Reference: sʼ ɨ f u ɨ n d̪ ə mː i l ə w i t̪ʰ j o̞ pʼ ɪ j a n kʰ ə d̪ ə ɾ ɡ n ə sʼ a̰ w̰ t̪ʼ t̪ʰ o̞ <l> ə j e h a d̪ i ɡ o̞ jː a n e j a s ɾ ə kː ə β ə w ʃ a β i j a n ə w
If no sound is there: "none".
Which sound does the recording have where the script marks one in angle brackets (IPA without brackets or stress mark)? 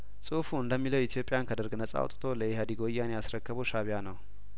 l